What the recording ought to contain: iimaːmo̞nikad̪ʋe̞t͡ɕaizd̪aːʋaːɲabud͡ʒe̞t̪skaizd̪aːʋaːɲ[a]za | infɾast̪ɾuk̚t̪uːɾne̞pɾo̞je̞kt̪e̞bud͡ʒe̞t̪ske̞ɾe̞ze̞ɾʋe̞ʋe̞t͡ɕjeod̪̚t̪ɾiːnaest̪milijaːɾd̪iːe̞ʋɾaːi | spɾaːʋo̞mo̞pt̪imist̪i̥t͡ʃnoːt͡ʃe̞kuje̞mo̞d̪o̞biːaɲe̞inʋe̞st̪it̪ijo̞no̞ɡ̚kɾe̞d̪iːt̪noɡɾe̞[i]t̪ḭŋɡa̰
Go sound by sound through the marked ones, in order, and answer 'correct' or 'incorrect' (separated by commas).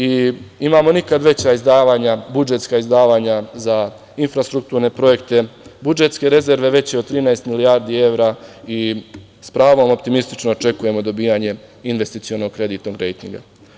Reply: correct, incorrect